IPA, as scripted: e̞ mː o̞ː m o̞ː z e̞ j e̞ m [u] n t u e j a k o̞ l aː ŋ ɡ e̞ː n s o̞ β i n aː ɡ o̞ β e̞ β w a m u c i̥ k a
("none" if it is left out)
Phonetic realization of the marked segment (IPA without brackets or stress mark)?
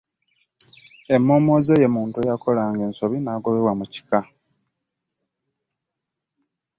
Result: uː